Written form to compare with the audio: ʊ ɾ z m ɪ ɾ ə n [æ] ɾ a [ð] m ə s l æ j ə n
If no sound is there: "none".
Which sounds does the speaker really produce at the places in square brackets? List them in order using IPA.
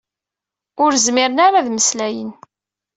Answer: a, ð

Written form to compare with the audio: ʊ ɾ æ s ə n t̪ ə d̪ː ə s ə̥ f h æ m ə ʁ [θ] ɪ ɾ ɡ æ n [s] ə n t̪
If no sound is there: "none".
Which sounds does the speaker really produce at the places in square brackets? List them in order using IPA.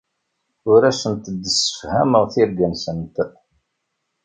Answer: θ, s

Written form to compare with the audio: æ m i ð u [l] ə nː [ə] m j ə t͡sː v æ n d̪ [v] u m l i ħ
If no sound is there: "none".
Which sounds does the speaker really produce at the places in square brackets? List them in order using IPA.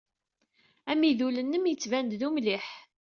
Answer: l, ə, ð

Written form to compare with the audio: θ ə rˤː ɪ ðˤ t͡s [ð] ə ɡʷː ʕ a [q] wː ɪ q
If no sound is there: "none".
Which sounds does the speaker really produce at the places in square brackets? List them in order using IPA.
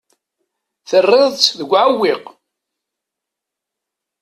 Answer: ð, none

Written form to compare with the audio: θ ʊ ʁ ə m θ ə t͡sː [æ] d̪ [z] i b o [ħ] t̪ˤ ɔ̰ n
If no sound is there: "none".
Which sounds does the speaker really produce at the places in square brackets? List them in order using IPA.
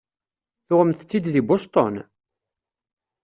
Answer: i, ð, s

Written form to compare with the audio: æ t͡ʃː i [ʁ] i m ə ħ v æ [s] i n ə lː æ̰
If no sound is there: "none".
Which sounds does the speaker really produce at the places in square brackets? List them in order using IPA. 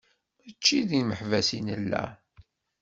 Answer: ð, s

